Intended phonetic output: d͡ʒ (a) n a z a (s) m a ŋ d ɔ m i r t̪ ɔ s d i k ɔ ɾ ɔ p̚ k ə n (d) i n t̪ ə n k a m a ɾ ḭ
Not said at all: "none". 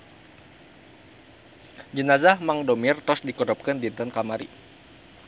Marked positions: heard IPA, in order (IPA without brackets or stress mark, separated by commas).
ə, h, d